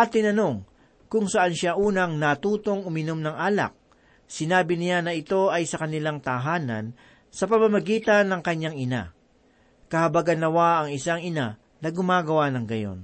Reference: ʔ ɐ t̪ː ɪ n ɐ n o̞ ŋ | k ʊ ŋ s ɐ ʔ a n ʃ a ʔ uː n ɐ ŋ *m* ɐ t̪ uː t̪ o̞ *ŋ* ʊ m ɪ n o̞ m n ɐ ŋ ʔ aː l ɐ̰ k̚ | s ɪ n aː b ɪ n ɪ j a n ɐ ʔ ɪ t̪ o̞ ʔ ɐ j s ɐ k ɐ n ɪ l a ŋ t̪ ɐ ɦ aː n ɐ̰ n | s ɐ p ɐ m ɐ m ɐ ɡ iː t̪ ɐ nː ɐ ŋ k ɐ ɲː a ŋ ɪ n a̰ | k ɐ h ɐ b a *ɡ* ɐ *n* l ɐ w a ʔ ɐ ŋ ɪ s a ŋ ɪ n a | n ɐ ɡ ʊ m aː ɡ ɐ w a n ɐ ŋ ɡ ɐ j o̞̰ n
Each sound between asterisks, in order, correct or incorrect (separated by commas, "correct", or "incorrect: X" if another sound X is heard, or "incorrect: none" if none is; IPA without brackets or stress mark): incorrect: n, correct, correct, correct